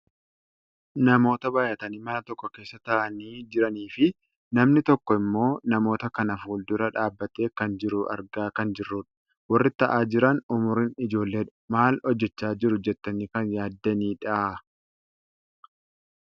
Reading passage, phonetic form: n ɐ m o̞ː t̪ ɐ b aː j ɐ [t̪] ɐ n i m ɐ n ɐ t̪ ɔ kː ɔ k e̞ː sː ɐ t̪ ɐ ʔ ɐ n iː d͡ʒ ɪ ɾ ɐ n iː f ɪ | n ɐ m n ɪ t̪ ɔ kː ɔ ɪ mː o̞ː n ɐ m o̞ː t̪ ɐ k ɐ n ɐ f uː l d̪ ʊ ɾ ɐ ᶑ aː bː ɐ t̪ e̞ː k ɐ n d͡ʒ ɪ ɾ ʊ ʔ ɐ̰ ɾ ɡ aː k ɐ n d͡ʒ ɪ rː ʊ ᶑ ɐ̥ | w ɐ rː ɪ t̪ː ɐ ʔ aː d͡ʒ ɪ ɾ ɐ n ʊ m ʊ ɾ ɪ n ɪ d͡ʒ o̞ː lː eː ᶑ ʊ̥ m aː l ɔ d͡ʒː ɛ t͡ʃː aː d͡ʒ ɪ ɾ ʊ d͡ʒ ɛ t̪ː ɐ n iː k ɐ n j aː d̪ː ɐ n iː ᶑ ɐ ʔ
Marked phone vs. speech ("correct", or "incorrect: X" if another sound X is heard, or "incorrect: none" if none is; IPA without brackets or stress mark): correct